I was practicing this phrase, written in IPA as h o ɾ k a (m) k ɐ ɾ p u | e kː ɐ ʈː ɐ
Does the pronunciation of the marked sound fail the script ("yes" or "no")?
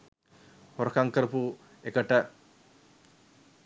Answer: yes